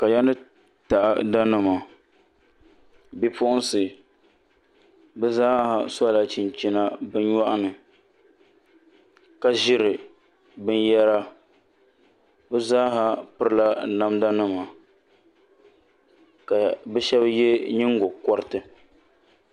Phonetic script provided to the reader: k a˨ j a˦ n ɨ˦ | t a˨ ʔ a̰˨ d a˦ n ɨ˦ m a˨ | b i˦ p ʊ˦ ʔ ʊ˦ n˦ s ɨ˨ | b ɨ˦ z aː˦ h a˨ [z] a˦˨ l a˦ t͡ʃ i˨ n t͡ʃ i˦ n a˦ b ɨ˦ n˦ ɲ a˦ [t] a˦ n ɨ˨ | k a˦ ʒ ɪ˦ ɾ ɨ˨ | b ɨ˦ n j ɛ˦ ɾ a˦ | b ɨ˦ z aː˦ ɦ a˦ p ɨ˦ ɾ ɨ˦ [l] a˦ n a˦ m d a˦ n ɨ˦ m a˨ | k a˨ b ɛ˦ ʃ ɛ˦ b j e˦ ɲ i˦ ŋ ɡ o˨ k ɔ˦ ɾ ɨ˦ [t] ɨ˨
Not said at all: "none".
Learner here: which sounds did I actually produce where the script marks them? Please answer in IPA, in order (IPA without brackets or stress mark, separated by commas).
s, ʔ, l, t